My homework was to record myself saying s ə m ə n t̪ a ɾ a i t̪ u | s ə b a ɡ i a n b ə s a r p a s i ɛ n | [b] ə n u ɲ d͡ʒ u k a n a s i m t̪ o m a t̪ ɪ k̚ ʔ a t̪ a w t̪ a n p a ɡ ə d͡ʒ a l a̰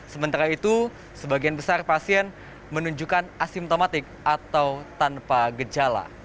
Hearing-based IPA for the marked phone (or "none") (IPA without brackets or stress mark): m